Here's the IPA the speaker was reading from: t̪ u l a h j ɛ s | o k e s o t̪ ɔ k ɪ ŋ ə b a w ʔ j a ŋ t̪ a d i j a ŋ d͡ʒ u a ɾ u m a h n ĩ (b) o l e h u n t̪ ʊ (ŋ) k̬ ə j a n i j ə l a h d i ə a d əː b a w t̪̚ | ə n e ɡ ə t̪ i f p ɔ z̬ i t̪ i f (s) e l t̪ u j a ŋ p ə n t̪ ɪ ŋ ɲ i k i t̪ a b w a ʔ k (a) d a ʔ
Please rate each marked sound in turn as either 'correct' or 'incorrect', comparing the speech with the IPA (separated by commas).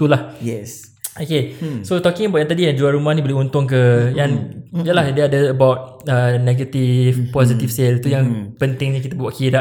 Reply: correct, correct, correct, incorrect